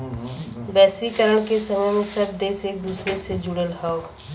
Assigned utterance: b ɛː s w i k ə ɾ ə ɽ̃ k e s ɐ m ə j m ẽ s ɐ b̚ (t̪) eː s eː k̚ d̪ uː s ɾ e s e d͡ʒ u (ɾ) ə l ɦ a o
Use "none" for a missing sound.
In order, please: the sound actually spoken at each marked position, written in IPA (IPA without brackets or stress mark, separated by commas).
d̪, ɽ